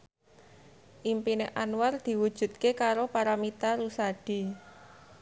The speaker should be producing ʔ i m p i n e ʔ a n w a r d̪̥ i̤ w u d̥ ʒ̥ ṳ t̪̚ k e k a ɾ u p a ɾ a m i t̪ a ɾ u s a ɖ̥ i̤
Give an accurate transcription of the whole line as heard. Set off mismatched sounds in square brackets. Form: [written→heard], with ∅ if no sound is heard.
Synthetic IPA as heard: ʔ i m p i n e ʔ a n w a r d̪̥ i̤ w u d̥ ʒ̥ ṳ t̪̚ k e k a ɾ [u→o] p a ɾ a m i t̪ a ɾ u s a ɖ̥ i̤

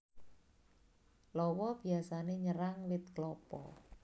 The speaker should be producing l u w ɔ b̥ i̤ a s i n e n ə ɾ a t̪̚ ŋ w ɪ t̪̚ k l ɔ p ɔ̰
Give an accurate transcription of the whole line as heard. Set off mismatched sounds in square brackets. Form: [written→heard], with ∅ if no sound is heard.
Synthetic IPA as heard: l [u→ɔ] w ɔ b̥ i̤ a s [i→a] n e [n→ɲ] ə ɾ a [t̪̚→∅] ŋ w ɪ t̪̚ k l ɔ p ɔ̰

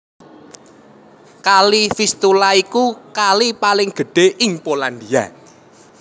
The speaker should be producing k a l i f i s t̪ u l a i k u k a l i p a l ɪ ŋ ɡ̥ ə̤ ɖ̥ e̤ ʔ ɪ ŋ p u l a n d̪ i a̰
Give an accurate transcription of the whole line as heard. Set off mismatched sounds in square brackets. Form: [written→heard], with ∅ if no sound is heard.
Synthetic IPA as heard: k a l i f i s t̪ u l a i k u k a l i p a l ɪ ŋ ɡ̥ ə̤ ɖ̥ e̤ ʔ ɪ ŋ p [u→o] l a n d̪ i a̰

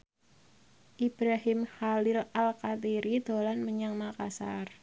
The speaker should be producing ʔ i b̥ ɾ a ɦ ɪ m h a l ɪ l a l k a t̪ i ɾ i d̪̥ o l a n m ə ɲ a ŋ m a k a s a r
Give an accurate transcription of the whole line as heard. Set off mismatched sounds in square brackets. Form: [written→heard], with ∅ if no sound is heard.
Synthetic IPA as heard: ʔ i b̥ ɾ a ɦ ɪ m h a l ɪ l a l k a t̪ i ɾ i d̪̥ o l a n m ə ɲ a ŋ m a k a s a r

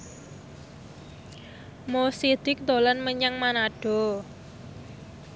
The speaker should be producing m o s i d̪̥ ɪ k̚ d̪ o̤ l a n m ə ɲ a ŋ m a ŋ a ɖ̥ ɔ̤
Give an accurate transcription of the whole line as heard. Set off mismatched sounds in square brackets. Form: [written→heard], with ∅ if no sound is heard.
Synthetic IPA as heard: m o s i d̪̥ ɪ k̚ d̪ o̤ l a n m ə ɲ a ŋ m a [ŋ→n] a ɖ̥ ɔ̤

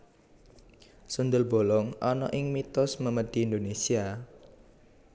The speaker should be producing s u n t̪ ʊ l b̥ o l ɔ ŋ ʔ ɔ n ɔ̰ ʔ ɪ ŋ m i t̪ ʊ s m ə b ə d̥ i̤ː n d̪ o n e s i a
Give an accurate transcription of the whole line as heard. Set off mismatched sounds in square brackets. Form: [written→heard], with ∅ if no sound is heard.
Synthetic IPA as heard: s u n [t̪→d̪] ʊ l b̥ o l ɔ ŋ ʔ ɔ n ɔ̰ ʔ ɪ ŋ m i t̪ ʊ s m ə [b→m] ə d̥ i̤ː n d̪ o n e s i a

